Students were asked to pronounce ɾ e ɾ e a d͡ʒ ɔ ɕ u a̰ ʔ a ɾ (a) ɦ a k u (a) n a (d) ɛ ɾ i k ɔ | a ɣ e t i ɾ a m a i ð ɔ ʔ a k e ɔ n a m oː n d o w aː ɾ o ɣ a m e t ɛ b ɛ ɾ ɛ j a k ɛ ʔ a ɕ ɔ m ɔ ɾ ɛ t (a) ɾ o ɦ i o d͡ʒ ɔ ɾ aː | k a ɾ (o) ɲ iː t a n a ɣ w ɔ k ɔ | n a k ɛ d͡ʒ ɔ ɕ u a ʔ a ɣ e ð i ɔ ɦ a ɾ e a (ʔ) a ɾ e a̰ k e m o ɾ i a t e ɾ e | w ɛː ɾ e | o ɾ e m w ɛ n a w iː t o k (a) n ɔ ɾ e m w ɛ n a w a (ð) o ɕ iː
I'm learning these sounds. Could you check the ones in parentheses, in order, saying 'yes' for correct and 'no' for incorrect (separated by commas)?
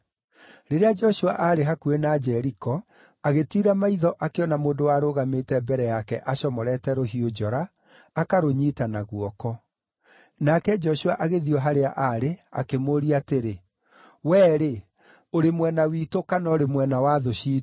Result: no, no, no, no, yes, yes, yes, yes